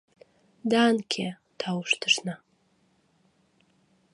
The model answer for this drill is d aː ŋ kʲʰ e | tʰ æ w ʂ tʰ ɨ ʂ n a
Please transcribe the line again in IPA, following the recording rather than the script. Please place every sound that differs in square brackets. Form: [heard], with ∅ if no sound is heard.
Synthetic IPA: d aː [n] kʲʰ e | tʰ [a] w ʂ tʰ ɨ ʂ n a